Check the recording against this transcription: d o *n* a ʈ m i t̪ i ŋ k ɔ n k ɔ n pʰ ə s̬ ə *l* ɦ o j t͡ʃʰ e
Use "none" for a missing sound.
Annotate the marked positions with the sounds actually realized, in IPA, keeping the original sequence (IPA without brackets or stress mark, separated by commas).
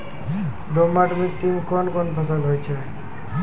m, l